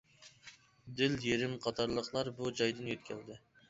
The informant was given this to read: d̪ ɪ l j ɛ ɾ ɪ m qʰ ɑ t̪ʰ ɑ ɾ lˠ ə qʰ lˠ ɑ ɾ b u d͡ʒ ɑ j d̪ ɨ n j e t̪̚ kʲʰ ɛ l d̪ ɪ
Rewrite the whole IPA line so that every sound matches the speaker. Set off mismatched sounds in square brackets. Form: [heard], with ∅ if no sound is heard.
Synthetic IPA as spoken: d̪ ɪ l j [e] ɾ ɪ m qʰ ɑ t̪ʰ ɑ ɾ lˠ ə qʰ lˠ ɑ ɾ b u d͡ʒ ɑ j d̪ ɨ n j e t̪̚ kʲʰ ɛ l d̪ ɪ